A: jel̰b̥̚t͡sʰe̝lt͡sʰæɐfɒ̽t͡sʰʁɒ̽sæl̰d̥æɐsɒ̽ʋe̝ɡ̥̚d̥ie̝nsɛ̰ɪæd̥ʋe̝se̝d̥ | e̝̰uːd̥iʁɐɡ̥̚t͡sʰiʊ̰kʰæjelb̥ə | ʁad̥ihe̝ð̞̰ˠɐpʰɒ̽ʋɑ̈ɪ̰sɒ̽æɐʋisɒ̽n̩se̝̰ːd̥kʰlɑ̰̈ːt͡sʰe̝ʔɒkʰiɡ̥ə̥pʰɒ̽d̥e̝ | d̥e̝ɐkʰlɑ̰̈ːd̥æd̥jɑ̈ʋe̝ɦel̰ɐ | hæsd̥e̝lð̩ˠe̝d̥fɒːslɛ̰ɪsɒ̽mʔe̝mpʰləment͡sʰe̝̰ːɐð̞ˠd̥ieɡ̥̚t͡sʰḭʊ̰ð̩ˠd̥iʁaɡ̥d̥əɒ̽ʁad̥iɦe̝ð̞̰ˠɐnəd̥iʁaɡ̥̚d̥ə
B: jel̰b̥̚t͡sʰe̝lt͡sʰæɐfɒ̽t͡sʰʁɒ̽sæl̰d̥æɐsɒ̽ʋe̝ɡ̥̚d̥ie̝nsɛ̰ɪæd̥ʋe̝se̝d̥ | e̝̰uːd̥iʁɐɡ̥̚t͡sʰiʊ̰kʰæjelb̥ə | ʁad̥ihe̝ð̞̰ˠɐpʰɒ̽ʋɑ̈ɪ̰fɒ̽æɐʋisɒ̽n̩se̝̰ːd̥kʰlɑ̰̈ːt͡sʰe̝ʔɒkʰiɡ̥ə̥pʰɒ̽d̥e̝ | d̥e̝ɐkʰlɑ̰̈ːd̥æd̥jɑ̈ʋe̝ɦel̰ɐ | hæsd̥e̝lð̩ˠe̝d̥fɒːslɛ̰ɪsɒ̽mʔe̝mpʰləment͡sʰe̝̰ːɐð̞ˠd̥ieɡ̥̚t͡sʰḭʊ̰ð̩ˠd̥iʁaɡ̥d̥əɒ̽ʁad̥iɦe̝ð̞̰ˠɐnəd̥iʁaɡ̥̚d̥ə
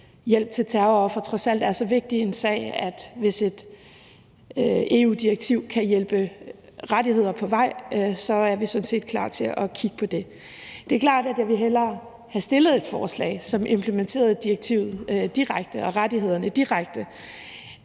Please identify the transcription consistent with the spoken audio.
A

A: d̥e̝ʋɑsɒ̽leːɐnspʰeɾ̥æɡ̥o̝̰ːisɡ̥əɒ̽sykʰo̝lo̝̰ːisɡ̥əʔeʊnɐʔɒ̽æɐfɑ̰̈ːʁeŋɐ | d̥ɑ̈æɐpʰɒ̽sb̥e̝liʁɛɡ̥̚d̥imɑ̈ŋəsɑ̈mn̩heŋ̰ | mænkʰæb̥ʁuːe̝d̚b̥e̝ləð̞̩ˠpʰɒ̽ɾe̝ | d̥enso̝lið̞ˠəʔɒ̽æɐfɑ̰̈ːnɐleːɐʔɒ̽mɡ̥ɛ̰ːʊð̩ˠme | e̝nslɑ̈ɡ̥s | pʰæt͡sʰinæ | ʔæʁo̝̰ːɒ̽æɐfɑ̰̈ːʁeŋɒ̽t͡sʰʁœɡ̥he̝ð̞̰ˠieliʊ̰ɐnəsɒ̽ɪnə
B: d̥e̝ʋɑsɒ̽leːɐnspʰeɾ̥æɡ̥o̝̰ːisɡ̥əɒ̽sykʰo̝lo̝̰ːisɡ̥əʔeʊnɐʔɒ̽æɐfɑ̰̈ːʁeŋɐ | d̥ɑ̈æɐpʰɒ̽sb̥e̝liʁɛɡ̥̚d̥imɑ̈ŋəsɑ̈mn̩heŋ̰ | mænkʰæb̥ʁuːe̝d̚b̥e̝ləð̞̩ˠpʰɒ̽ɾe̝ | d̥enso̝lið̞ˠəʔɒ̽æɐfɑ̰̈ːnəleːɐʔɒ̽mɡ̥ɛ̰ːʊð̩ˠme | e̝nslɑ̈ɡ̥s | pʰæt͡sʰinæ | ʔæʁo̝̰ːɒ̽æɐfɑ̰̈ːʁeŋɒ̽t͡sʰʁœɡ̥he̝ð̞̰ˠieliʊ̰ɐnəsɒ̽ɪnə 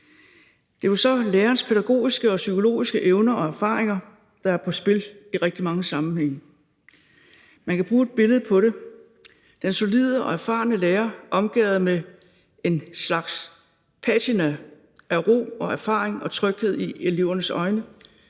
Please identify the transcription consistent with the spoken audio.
B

